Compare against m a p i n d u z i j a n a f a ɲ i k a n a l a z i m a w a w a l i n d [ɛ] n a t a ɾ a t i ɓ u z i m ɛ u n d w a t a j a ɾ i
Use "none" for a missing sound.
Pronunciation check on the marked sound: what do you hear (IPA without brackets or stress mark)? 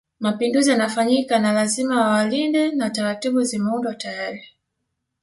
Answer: ɛ